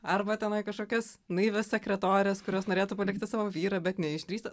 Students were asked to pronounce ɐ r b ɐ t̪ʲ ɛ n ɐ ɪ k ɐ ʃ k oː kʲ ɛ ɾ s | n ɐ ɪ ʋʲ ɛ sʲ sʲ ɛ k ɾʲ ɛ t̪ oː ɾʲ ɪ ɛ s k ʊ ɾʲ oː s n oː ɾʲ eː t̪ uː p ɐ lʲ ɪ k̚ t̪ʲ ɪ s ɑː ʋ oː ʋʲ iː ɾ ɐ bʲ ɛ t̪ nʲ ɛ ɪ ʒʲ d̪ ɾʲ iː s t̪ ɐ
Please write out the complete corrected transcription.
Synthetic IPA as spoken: ɐ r b ɐ t̪ʲ ɛ n ɐ ɪ k ɐ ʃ k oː kʲ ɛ s | n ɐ ɪ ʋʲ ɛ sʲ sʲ ɛ k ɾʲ ɛ t̪ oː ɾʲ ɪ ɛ s k ʊ ɾʲ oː s n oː ɾʲ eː t̪ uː p ɐ lʲ ɪ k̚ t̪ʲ ɪ s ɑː ʋ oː ʋʲ iː ɾ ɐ bʲ ɛ t̪ nʲ ɛ ɪ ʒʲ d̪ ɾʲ iː s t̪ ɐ